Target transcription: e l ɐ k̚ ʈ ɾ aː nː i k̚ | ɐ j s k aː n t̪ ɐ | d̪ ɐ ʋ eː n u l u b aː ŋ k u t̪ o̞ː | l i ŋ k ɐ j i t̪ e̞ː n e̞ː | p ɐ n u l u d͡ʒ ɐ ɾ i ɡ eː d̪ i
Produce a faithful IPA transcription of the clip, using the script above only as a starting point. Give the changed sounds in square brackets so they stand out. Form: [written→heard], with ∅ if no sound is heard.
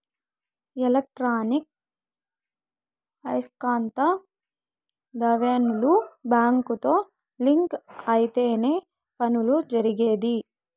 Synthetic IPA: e l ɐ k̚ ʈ ɾ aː [nː→n] i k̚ | ɐ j s k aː n t̪ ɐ | d̪ ɐ ʋ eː n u l u b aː ŋ k u t̪ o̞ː | l i ŋ k ɐ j i t̪ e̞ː n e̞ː | p ɐ n u l u d͡ʒ ɐ ɾ i ɡ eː d̪ i